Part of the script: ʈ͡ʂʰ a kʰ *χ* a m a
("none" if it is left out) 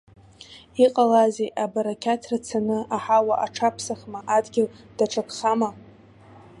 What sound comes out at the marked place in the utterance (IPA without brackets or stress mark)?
χ